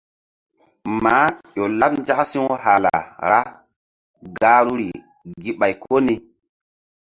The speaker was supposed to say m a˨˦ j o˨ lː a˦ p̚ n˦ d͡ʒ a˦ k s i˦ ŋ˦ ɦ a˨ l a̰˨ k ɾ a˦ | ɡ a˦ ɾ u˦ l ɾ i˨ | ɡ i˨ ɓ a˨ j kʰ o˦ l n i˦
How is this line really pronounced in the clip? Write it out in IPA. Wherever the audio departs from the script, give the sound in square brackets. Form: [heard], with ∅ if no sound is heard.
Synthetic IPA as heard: m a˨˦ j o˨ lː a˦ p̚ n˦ d͡ʒ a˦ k s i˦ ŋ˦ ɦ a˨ l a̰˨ [∅] ɾ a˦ | ɡ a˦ ɾ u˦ [∅] ɾ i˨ | ɡ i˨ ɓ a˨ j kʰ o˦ [∅] n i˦